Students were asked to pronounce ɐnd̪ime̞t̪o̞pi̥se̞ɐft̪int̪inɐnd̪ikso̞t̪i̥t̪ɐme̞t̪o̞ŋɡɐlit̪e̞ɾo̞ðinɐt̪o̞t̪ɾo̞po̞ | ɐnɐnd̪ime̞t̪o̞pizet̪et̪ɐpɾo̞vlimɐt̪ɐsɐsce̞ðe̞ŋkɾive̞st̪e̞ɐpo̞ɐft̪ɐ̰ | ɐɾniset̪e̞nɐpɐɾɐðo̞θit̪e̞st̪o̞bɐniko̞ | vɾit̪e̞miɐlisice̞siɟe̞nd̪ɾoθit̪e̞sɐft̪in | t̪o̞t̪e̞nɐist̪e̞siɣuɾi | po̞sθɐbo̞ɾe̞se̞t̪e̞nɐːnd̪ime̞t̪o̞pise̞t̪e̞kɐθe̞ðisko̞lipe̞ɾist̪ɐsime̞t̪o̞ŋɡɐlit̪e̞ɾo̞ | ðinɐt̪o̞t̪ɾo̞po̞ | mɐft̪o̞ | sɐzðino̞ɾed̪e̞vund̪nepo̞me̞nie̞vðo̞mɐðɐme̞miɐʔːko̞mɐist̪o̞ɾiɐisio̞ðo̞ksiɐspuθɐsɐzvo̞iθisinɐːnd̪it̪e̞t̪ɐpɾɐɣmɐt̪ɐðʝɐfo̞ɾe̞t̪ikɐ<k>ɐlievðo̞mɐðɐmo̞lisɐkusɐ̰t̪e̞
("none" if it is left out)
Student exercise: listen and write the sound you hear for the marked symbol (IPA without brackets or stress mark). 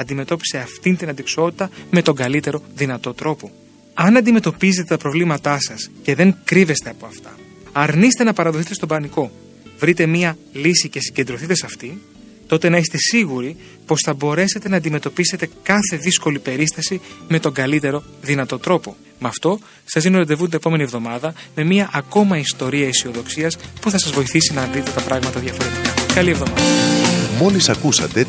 k